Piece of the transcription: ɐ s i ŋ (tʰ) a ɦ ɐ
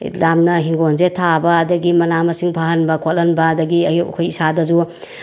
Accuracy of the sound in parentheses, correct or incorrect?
incorrect